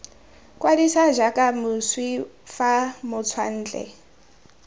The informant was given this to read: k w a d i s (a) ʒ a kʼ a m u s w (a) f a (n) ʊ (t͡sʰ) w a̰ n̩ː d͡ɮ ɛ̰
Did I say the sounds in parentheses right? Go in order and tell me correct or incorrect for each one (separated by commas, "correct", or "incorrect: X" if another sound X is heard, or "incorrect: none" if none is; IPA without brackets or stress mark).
correct, incorrect: i, incorrect: m, correct